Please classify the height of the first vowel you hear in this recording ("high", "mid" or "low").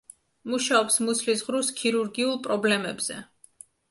high